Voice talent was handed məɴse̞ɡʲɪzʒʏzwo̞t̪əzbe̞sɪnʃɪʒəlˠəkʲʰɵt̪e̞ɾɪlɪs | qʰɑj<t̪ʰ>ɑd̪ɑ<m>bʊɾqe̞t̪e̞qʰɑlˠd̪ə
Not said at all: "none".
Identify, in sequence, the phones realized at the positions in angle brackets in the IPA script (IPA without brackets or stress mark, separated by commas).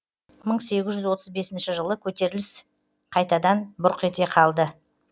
t̪, n